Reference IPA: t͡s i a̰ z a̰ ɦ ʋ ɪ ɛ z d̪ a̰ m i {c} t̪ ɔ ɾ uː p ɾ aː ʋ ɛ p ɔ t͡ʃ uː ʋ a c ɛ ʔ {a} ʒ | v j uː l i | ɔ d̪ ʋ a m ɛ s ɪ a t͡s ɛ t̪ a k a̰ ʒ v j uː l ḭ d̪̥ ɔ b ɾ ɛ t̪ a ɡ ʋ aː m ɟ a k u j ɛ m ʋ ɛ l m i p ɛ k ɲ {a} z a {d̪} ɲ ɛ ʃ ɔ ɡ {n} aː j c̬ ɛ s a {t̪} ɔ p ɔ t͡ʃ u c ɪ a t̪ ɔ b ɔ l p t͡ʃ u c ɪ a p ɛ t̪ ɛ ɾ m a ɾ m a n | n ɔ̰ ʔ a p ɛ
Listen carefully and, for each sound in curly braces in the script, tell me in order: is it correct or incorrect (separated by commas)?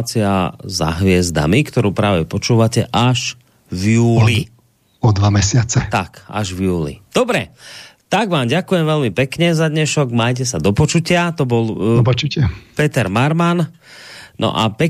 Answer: incorrect, correct, incorrect, correct, incorrect, incorrect